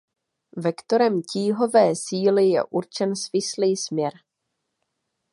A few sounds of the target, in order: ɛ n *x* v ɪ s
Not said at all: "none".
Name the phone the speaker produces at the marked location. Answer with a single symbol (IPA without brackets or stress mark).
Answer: s